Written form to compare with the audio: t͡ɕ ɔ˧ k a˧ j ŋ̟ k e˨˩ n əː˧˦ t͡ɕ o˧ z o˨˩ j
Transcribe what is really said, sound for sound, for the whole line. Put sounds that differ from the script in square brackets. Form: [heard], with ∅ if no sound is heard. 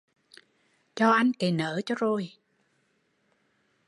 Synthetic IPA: t͡ɕ ɔ˧ [ʔ] a˧ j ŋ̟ k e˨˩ n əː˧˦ t͡ɕ [ɔ˧] z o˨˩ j